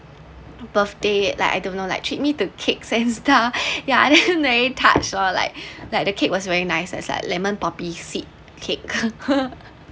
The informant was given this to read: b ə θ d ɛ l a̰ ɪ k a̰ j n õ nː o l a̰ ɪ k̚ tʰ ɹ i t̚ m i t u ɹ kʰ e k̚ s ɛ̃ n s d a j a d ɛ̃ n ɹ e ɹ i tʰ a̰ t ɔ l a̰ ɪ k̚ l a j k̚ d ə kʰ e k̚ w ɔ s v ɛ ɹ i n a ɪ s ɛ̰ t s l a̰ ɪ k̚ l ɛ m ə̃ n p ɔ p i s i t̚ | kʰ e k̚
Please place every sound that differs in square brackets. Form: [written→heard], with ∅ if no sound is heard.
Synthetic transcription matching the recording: b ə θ d [ɛ→e] l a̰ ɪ k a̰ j [n→d] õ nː o l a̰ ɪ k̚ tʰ ɹ i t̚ m i t u [ɹ→∅] kʰ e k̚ s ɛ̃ n s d a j a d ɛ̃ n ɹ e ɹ i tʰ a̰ [t→t͡ʃ] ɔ l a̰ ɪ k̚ l a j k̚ d ə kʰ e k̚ w ɔ s v ɛ ɹ i n a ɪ s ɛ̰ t s l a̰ ɪ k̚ l ɛ m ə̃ n p ɔ p i s i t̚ | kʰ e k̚

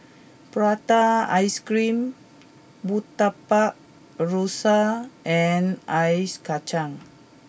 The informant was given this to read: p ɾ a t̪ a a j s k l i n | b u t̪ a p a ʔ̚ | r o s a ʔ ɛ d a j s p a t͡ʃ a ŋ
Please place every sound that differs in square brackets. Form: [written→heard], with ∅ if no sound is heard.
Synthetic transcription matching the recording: p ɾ a t̪ a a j s k [l→ɾ] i [n→m] | b u t̪ a p a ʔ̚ | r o s a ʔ ɛ [d→n] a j s [p→k] a t͡ʃ a ŋ

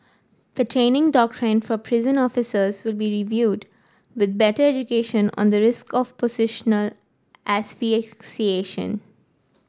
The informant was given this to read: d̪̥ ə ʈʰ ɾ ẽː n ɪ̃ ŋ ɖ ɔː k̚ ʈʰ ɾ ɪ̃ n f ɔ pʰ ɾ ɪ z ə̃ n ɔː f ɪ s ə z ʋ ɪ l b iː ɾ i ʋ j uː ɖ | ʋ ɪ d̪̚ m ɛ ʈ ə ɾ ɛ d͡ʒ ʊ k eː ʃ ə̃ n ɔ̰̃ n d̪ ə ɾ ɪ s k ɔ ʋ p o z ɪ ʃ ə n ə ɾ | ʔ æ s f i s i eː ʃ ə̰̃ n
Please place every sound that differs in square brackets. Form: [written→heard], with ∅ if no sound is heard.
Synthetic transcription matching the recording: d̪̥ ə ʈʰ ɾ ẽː n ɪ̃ ŋ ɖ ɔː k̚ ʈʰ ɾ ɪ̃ n f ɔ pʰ ɾ ɪ z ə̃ n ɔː f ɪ s ə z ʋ ɪ l b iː ɾ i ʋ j uː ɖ | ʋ ɪ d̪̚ [m→b] ɛ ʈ ə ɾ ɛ d͡ʒ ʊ k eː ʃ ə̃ n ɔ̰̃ n d̪ ə ɾ ɪ s k ɔ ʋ p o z ɪ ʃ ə n ə [ɾ→l] | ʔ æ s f i s i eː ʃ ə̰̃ n

